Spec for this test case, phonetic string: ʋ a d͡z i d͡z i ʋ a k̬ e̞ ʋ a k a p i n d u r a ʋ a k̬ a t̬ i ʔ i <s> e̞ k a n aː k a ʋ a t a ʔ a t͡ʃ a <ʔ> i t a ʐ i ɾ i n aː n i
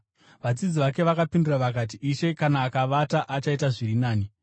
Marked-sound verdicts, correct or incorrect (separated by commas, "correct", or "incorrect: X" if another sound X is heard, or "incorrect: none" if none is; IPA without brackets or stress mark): incorrect: ʃ, incorrect: none